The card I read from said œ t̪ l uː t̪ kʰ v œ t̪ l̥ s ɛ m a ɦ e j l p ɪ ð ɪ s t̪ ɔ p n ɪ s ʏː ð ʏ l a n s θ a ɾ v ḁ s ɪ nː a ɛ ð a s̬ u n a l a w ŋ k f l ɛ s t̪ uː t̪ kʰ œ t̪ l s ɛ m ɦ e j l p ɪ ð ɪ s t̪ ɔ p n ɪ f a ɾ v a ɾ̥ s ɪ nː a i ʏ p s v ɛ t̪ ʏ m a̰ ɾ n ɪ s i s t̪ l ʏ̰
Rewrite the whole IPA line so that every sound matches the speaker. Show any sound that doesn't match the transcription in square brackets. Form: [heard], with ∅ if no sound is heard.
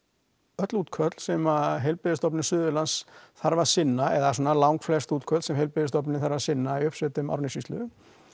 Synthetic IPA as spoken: œ t̪ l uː t̪ kʰ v œ t̪ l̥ s ɛ m a ɦ e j l p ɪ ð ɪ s t̪ ɔ p n ɪ s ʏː ð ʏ l a n s θ a ɾ v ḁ s ɪ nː a ɛ ð a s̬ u n a l a w ŋ k f l ɛ s t̪ uː t̪ kʰ œ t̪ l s ɛ m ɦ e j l p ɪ ð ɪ s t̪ ɔ p n ɪ [θ] a ɾ v a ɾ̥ s ɪ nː a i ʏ p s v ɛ t̪ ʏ m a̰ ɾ n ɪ s i s t̪ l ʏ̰

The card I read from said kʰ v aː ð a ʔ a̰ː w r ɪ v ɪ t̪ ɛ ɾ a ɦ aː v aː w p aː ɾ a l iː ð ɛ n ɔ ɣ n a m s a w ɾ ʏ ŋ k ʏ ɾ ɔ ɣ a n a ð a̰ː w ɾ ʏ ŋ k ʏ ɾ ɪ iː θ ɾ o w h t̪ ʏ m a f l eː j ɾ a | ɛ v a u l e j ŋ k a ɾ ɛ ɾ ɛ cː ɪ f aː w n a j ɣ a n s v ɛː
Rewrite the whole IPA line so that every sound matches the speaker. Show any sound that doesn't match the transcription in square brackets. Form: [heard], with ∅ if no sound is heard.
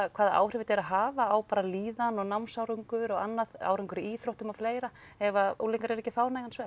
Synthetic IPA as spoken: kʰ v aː ð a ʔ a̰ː w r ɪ v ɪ t̪ ɛ ɾ a ɦ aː v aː w p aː ɾ a l iː ð [a] n ɔ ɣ n a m s a w ɾ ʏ ŋ k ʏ ɾ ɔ ɣ a [nː] a ð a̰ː w ɾ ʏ ŋ k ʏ ɾ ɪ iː θ ɾ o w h t̪ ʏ m a f l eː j ɾ a | ɛ v a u l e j ŋ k a ɾ ɛ ɾ ɛ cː ɪ f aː w n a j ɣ a n s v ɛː

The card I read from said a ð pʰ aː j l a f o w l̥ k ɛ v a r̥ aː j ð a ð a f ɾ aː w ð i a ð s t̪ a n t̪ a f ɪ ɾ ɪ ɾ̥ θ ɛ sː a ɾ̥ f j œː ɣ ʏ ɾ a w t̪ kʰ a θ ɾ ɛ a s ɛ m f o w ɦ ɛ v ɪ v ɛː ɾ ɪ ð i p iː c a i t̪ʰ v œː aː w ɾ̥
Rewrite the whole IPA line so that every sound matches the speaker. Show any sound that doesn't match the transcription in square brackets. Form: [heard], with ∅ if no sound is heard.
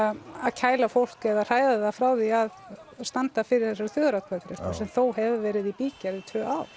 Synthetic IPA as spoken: a ð [cʰ] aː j l a f o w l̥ k ɛ [ð] a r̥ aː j ð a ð a f ɾ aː w ð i a ð s t̪ a n t̪ a f ɪ ɾ ɪ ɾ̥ θ ɛ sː a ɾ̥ [θ] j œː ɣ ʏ ɾ a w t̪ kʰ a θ ɾ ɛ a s ɛ m [θ] o w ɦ ɛ v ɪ v ɛː ɾ ɪ ð i p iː c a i t̪ʰ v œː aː w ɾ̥

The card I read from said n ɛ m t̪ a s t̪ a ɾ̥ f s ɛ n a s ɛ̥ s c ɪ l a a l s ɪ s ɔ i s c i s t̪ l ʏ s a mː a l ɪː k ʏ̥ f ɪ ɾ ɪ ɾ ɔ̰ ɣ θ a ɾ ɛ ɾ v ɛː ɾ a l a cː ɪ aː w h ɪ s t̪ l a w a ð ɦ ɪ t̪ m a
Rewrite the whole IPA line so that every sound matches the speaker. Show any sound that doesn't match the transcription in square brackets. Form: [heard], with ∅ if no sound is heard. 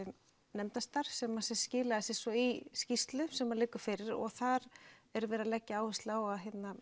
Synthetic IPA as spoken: n ɛ m t̪ a s t̪ a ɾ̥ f s ɛ [m] a s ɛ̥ s c [ɪː] l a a [∅] s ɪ s ɔ i s c i s t̪ l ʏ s [ɛ] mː a l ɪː k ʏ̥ f ɪ ɾ ɪ ɾ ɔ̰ ɣ θ a ɾ ɛ ɾ v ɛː ɾ a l [ɛ] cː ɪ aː w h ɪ s t̪ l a w a ð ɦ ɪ t̪ [n] a

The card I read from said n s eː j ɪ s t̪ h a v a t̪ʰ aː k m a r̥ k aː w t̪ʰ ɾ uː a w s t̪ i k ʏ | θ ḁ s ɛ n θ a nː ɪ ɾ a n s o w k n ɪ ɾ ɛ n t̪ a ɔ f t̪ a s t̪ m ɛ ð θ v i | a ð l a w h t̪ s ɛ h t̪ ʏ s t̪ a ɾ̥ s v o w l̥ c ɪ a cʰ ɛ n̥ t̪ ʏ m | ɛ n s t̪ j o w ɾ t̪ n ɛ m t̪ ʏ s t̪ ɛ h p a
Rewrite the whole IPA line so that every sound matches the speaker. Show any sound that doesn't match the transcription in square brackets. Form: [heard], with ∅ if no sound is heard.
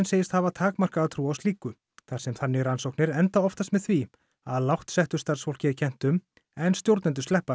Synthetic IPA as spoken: n s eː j ɪ s t̪ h a v a t̪ʰ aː k m a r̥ k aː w t̪ʰ ɾ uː a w s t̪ [iː] k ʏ | θ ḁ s ɛ [m] θ a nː ɪ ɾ a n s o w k n ɪ ɾ ɛ n t̪ a ɔ f t̪ a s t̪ m ɛ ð θ v i | a ð l a w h t̪ s ɛ h t̪ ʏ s t̪ a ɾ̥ s [f] o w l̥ c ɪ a cʰ ɛ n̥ t̪ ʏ m | ɛ n s t̪ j o w ɾ t̪ n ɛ [n] t̪ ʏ s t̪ ɛ h p a

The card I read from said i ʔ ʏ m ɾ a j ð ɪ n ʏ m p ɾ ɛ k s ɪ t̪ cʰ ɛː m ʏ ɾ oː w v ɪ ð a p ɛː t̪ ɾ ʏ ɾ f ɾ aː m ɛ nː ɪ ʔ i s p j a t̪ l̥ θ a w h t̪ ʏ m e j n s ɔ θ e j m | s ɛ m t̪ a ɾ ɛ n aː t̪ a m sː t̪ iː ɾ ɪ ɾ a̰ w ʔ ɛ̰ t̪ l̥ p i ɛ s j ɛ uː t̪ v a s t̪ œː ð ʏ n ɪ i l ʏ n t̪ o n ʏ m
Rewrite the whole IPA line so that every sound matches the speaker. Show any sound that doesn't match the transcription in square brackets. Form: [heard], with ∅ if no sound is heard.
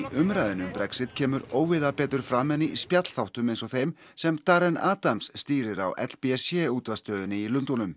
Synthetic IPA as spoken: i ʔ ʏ m ɾ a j ð ɪ n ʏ m p ɾ ɛ k s ɪ t̪ cʰ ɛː m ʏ ɾ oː w v ɪ ð a p ɛː t̪ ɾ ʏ ɾ f ɾ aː m ɛ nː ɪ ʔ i s p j a t̪ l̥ θ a w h t̪ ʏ m e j n s ɔ θ e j m | s ɛ m t̪ a ɾ ɛ n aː t̪ a m sː t̪ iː ɾ ɪ ɾ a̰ w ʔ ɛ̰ t̪ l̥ p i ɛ s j ɛ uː t̪ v a s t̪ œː ð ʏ n ɪ i l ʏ n t̪ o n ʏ m

